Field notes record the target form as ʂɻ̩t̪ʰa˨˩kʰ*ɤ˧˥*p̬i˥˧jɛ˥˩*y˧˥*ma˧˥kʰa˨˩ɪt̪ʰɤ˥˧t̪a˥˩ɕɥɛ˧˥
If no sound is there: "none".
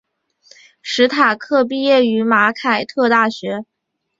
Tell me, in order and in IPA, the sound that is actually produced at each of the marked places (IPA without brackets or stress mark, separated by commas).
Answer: ɤ˥˧, y˧˥